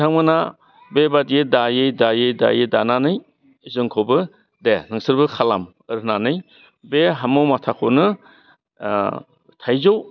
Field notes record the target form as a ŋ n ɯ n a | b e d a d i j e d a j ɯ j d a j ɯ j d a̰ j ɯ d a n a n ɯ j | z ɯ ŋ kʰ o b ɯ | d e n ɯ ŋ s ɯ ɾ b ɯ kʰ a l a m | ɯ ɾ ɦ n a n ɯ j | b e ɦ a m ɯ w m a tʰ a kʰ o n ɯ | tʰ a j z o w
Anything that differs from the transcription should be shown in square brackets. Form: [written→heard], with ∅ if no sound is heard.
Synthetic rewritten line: a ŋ [n→m] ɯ n a | b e [d→b] a d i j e d a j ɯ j d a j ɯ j d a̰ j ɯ d a n a n ɯ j | z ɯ ŋ kʰ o b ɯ | d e n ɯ ŋ s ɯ ɾ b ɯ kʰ a l a m | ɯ ɾ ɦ n a n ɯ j | b e ɦ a m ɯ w m a tʰ a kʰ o n ɯ | tʰ a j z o w

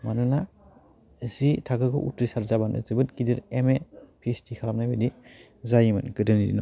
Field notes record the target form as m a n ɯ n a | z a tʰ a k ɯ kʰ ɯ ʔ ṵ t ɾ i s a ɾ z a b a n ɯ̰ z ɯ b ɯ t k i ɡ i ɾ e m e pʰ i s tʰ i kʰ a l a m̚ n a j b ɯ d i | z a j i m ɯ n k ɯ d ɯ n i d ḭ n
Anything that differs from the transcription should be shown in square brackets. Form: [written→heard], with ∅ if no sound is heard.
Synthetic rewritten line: m a n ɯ n a | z [a→i] tʰ a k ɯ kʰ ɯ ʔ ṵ t ɾ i s a ɾ z a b a n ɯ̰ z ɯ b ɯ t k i [ɡ→d] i ɾ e m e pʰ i s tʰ i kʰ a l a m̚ n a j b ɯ d i | z a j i m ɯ n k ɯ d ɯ n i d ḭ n

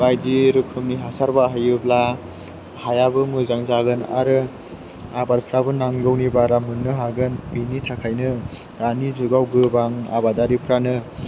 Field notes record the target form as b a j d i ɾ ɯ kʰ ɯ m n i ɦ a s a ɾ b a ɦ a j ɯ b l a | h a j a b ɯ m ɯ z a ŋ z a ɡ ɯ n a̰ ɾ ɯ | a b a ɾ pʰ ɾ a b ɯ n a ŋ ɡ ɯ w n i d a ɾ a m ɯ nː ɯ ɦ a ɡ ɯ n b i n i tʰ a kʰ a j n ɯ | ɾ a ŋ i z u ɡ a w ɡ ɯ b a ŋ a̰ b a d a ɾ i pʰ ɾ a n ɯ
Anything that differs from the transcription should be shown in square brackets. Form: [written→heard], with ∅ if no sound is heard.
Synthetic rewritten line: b a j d i ɾ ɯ kʰ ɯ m n i ɦ a s a ɾ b a ɦ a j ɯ b l a | h a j a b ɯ m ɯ z a ŋ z a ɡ ɯ n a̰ ɾ ɯ | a b a ɾ pʰ ɾ a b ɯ n a ŋ ɡ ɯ w n i [d→b] a ɾ a m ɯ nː ɯ ɦ a ɡ ɯ n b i n i tʰ a kʰ a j n ɯ | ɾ a [ŋ→n] i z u ɡ a w ɡ ɯ b a ŋ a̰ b a d a ɾ i pʰ ɾ a n ɯ

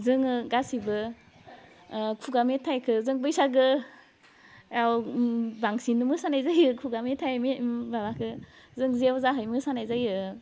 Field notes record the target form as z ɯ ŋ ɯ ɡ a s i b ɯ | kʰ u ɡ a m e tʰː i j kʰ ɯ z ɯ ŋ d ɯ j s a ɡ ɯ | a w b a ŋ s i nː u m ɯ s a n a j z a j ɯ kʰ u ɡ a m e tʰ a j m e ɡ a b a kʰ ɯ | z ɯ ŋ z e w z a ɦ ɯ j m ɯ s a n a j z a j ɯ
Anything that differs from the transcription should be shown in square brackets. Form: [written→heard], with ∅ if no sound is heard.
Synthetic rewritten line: z ɯ ŋ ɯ ɡ a s i b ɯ | kʰ u ɡ a m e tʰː [i→a] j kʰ ɯ z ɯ ŋ [d→b] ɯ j s a ɡ ɯ | a w b a ŋ s i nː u m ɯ s a n a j z a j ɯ kʰ u ɡ a m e tʰ a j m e [ɡ→b] a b a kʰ ɯ | z ɯ ŋ z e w z a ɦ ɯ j m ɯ s a n a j z a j ɯ

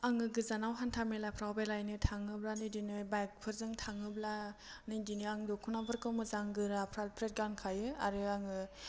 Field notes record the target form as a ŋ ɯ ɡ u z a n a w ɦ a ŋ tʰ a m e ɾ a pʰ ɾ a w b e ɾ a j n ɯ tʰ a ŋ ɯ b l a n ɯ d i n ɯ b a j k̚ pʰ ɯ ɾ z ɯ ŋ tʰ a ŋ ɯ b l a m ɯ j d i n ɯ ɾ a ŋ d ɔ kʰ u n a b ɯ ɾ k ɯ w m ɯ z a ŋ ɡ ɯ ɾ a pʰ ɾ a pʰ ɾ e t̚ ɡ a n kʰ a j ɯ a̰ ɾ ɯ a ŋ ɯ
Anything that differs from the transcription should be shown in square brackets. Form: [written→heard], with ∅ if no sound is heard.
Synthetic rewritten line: a ŋ ɯ ɡ [u→ɯ] z a n a w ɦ a [ŋ→n] tʰ a m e [ɾ→l] a pʰ ɾ a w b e [ɾ→l] a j n ɯ tʰ a ŋ ɯ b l a n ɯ d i n ɯ b a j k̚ pʰ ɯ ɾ z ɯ ŋ tʰ a ŋ ɯ b l a [m→n] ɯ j d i n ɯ [ɾ→∅] a ŋ d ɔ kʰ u n a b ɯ ɾ k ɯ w m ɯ z a ŋ ɡ ɯ ɾ a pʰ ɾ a pʰ ɾ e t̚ ɡ a n kʰ a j ɯ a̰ ɾ ɯ a ŋ ɯ

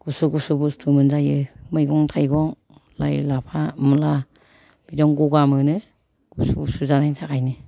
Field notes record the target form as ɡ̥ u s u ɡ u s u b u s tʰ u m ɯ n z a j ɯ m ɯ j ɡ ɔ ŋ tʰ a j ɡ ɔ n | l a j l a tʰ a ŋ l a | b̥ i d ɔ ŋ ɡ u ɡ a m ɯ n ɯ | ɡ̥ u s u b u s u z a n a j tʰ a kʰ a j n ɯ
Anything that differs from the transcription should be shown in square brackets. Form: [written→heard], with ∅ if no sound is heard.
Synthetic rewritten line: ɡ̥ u s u ɡ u s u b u s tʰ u m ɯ n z a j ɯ m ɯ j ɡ ɔ ŋ tʰ a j ɡ ɔ [n→ŋ] | l a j l a [tʰ→pʰ] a [ŋ→m] l a | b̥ i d ɔ ŋ ɡ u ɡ a m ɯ n ɯ | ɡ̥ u s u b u s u z a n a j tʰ a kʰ a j n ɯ

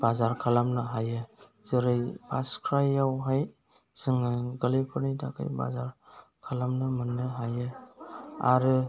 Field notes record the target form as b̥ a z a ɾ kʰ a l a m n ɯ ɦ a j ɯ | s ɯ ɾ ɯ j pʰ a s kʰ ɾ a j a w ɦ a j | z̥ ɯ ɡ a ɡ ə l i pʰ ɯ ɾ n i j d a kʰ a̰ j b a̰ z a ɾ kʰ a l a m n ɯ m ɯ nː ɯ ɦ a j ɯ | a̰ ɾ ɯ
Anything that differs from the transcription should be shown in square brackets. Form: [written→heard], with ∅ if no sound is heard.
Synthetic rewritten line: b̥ a z a ɾ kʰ a l a m n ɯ ɦ a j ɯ | [s→z] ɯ ɾ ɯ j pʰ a s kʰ ɾ a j a w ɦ a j | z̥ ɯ [ɡ→ŋ] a ɡ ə l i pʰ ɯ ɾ n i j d a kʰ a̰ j b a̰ z a ɾ kʰ a l a m n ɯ m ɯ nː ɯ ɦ a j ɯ | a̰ ɾ ɯ

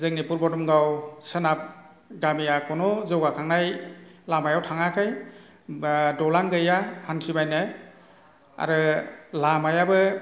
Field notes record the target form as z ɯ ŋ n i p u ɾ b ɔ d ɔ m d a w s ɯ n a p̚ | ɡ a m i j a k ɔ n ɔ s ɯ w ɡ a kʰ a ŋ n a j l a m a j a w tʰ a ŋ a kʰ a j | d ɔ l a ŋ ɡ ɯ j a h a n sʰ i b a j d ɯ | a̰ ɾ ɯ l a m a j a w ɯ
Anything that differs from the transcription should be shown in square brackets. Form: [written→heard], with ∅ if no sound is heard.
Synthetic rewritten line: z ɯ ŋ n i p u ɾ b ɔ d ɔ m [d→ɡ] a w s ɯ n a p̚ | ɡ a m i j a k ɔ n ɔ [s→z] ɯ w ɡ a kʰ a ŋ n a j l a m a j a w tʰ a ŋ a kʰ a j | d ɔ l a ŋ ɡ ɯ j a h a n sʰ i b a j [d→n] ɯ | a̰ ɾ ɯ l a m a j a [w→b] ɯ

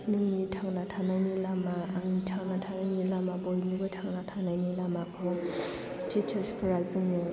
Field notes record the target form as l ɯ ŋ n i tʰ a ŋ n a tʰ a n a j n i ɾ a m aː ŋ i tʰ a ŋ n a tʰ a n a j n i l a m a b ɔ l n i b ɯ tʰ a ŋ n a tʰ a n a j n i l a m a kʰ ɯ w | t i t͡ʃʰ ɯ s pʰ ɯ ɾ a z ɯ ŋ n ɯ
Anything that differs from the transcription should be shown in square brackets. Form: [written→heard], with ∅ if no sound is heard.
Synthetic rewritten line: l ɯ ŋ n i tʰ a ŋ n a tʰ a n a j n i [ɾ→l] a m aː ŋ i tʰ a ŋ n a tʰ a n a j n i l a m a b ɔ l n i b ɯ tʰ a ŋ n a tʰ a n a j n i l a m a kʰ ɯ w | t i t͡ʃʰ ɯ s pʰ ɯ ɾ a z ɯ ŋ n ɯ

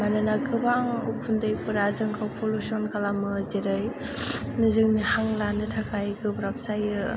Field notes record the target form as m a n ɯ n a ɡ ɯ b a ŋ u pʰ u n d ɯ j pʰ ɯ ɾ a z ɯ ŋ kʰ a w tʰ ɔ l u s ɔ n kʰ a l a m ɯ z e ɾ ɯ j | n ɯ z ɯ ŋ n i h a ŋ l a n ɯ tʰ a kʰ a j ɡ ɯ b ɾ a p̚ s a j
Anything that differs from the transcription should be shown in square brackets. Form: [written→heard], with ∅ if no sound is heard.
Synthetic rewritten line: m a n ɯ n a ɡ ɯ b a ŋ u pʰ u n d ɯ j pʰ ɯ ɾ a z ɯ ŋ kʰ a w [tʰ→pʰ] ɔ l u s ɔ n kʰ a l a m ɯ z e ɾ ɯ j | n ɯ z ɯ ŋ n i h a ŋ l a n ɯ tʰ a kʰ a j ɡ ɯ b ɾ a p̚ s a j

